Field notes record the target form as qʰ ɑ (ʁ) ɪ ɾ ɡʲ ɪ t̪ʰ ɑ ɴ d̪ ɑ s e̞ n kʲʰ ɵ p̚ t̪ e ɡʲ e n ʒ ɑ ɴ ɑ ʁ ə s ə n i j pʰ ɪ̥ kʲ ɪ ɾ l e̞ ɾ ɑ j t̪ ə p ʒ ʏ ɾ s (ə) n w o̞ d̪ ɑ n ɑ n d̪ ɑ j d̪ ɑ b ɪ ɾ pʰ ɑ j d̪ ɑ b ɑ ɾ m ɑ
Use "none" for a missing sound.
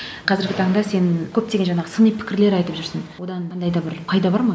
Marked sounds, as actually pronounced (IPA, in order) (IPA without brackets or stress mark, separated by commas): z, ə